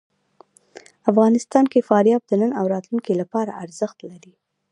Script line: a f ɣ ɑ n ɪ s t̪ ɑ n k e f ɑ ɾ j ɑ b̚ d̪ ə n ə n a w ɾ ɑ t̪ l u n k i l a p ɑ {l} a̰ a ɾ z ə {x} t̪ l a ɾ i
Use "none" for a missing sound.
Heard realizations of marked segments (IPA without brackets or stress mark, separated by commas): ɾ, x